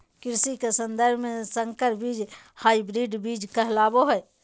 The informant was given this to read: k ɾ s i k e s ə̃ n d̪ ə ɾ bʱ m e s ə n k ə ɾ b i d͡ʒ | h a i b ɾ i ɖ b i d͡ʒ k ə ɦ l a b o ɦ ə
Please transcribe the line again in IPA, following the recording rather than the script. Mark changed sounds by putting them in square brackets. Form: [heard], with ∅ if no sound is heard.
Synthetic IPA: k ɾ s i k e s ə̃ n d̪ ə ɾ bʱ m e s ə [ŋ] k ə ɾ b i d͡ʒ | h a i b ɾ i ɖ b i d͡ʒ k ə ɦ l a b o ɦ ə